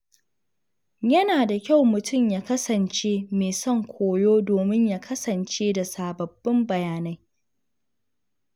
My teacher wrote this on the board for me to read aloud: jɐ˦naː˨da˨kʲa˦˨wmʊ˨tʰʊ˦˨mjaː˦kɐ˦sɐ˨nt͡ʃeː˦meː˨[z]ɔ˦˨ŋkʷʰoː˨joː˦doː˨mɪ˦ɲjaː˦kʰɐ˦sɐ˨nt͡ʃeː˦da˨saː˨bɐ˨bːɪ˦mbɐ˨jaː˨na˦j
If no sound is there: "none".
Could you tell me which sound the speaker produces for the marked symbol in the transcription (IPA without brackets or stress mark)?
s